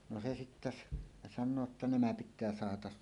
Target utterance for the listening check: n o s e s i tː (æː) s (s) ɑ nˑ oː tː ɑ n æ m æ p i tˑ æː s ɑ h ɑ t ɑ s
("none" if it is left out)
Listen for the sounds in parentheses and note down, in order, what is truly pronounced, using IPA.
æ, s

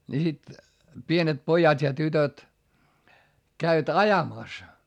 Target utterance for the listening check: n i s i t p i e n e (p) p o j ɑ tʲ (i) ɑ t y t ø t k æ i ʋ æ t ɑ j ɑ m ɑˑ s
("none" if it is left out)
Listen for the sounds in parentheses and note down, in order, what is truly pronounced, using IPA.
t, j

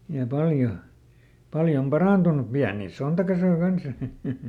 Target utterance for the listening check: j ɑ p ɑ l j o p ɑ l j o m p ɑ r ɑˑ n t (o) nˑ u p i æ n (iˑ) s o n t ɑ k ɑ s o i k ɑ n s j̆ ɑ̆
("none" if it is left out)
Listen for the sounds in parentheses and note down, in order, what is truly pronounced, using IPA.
u, iˑ

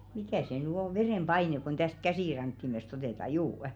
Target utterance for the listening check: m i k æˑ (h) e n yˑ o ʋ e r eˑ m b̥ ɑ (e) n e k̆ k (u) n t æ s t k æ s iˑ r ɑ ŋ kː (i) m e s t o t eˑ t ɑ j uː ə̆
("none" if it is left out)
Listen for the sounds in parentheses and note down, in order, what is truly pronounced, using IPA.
s, i, o, i

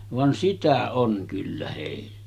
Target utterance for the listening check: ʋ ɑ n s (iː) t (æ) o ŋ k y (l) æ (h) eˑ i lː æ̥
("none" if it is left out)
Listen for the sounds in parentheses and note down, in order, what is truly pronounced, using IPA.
i, æ, lː, h

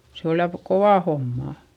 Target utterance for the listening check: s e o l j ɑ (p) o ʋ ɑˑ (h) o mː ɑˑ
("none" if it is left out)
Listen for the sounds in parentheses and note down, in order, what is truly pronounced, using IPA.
k, h

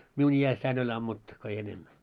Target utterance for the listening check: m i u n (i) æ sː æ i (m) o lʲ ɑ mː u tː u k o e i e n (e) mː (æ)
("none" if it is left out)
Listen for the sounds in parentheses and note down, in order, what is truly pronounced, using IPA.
i, n, e, æ

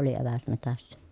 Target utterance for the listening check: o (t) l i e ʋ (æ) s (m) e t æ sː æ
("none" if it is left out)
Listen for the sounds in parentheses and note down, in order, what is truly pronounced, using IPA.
none, æ, m

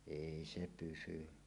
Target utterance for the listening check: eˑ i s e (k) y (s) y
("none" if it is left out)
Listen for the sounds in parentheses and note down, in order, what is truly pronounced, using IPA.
p, s

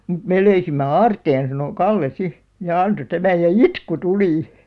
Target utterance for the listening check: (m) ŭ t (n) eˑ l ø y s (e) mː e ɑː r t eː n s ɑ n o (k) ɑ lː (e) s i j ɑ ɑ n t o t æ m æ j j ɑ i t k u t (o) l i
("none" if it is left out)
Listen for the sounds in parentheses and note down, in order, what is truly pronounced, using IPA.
m, m, i, k, e, u

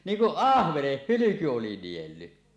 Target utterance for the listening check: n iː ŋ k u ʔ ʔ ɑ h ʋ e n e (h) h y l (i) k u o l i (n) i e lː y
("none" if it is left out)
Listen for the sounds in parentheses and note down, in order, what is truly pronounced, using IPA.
h, y, n

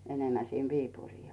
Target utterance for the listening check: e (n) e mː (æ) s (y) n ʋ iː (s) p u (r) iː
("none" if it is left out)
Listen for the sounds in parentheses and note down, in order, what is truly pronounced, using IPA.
n, æ, i, none, r

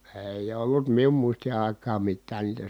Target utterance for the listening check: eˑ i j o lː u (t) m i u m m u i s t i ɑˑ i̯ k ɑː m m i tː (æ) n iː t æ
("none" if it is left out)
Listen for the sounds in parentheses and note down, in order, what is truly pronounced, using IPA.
t, æː

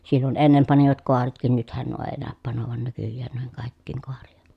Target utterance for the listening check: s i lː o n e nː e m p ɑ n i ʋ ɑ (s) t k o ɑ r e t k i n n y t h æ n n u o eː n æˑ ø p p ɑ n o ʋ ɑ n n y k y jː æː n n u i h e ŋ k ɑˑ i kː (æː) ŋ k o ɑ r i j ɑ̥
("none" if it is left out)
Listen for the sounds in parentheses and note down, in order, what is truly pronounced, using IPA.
none, iː

